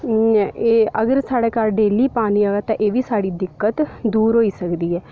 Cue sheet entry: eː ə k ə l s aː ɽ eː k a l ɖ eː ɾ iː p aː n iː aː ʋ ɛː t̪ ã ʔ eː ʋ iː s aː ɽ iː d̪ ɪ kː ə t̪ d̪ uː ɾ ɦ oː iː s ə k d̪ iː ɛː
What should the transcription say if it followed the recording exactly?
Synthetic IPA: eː ə ɡ ə ɾ s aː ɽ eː k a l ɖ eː l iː p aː n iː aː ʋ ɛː t̪ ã ʔ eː ʋ iː s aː ɽ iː d̪ ɪ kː ə t̪ d̪ uː ɾ ɦ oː iː s ə k d̪ iː ɛː